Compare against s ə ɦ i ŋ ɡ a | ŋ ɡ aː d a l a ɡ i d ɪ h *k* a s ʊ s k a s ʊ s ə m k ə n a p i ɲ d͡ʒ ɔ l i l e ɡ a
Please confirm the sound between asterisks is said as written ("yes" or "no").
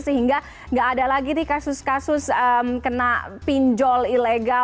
yes